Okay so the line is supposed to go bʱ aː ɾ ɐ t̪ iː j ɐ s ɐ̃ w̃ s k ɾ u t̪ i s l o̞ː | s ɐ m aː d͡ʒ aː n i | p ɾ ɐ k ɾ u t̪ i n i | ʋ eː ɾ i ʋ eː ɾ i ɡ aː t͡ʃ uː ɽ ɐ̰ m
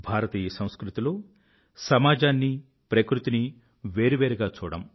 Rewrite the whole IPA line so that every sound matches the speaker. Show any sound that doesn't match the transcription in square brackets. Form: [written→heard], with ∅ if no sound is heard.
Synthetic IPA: bʱ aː ɾ ɐ t̪ iː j ɐ s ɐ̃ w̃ s k ɾ u t̪ i [s→∅] l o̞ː | s ɐ m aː d͡ʒ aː [n→nː] i | p ɾ ɐ k ɾ u t̪ i n i | ʋ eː ɾ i ʋ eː ɾ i ɡ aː t͡ʃ uː ɽ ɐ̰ m

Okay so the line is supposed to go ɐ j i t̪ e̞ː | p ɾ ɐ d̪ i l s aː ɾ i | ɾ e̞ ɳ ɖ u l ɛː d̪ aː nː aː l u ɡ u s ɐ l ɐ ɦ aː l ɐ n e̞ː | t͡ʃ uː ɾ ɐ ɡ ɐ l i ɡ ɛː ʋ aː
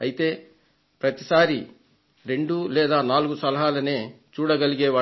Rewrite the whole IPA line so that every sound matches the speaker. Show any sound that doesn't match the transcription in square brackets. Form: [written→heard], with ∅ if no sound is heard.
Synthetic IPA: ɐ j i t̪ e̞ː | p ɾ ɐ [d̪→t̪] i [l→∅] s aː ɾ i | ɾ e̞ ɳ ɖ u l ɛː d̪ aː [nː→n] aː l u ɡ u s ɐ l ɐ ɦ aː l ɐ n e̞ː | t͡ʃ uː [ɾ→ɽ] ɐ ɡ ɐ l i ɡ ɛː ʋ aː

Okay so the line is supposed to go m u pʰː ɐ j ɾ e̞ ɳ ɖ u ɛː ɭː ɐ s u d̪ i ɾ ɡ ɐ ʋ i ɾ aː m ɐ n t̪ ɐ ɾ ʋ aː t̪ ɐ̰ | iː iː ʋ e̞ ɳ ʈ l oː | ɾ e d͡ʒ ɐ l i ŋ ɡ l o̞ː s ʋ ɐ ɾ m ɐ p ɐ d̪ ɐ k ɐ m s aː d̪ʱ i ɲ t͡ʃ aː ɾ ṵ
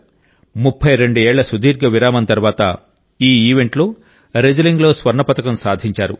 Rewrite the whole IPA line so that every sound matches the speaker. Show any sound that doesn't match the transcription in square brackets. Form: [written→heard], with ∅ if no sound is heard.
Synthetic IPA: m u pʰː ɐ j ɾ e̞ ɳ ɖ u ɛː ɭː ɐ s u d̪ [i→iː] ɾ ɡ ɐ ʋ i ɾ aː m ɐ n t̪ ɐ ɾ ʋ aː t̪ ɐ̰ | iː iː ʋ e̞ ɳ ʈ l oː | ɾ e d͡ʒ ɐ l i ŋ ɡ l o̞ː s ʋ ɐ ɾ [m→ɳ] ɐ p ɐ [d̪→t̪] ɐ k ɐ m s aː d̪ʱ i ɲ t͡ʃ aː ɾ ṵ

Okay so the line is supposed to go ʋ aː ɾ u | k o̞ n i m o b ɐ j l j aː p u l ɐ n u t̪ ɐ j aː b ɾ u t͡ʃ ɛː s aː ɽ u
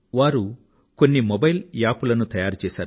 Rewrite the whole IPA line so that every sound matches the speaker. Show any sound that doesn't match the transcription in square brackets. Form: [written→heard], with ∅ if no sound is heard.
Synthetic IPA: ʋ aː ɾ u | k o̞ [n→nː] i m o b ɐ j l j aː p u l ɐ n u t̪ ɐ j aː [b→∅] ɾ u t͡ʃ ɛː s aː [ɽ→ɾ] u

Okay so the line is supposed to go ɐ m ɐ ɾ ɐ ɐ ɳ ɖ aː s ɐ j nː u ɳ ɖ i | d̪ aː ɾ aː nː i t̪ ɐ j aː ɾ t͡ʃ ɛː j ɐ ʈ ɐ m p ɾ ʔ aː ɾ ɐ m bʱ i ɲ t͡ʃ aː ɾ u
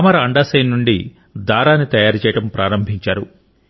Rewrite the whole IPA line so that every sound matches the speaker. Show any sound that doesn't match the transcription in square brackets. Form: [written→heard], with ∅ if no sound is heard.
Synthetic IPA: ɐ m ɐ ɾ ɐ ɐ ɳ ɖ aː s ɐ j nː u ɳ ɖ i | d̪ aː ɾ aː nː i t̪ ɐ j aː ɾ t͡ʃ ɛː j ɐ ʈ ɐ m p ɾ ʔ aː ɾ ɐ m bʱ i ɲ t͡ʃ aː ɾ u

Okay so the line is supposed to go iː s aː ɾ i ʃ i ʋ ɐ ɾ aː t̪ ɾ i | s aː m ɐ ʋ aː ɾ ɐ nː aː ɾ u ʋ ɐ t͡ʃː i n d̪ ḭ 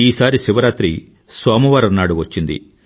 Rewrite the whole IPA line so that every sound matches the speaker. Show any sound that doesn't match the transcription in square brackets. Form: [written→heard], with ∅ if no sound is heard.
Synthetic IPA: iː s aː ɾ i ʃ i ʋ ɐ ɾ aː t̪ ɾ i | s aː m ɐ ʋ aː ɾ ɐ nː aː [ɾ→ɽ] u ʋ ɐ t͡ʃː i n d̪ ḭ

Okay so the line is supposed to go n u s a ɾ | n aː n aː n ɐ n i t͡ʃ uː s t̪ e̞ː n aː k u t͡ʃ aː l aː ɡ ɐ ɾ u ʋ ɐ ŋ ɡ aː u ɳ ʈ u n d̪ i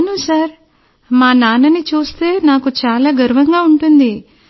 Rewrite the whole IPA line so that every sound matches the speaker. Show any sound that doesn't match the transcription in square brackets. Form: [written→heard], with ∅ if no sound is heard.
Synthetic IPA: n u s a ɾ | [n→m] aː n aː n ɐ n i t͡ʃ uː s t̪ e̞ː n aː k u t͡ʃ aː l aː ɡ ɐ ɾ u ʋ ɐ ŋ ɡ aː u ɳ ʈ u n d̪ i

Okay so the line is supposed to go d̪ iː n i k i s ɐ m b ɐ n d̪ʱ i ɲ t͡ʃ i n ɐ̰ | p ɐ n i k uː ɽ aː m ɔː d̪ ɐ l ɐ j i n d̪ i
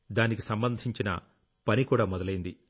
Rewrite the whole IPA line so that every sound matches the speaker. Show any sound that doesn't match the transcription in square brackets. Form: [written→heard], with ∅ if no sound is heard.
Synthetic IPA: d̪ [iː→aː] n i k i s ɐ m b ɐ n d̪ʱ i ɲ t͡ʃ i n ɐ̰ | p ɐ n i k uː ɽ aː m [ɔː→ɔ] d̪ ɐ l ɐ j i n d̪ i

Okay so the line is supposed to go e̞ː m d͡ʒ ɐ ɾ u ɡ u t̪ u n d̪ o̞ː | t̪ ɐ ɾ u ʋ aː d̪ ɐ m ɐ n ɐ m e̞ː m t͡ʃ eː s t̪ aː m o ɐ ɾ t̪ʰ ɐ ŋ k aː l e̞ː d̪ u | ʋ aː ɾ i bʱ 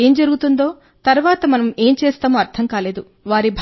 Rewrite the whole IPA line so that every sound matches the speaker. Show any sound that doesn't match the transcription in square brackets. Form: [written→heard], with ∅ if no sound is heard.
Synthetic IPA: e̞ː m d͡ʒ ɐ ɾ u ɡ u t̪ u n d̪ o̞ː | t̪ ɐ ɾ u ʋ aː [d̪→t̪] ɐ m ɐ n ɐ m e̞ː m t͡ʃ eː s t̪ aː m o ɐ ɾ t̪ʰ ɐ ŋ k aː l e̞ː d̪ u | ʋ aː ɾ i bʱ

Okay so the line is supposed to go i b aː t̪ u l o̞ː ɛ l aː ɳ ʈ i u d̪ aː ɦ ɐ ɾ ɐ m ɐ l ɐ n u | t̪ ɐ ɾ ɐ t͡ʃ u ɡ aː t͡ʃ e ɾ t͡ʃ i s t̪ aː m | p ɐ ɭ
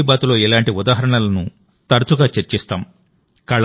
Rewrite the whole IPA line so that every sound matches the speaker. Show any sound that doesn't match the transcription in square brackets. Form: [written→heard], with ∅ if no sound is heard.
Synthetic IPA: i b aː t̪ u l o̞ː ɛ l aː ɳ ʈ i u d̪ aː ɦ ɐ ɾ ɐ [m→ɳ] ɐ l ɐ n u | t̪ ɐ ɾ ɐ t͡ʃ u ɡ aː t͡ʃ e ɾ t͡ʃ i s t̪ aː m | [p→k] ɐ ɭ

